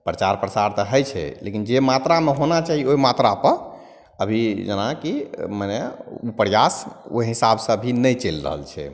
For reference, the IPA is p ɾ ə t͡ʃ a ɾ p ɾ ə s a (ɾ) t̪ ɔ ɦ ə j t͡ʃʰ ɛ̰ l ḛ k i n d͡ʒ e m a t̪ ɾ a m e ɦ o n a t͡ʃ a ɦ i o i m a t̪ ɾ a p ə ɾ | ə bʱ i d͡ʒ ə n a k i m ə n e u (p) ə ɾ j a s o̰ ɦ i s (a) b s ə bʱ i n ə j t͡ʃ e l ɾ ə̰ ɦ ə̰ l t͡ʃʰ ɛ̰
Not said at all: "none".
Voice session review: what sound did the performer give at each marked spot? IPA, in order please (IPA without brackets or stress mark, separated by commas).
ɾ, p, a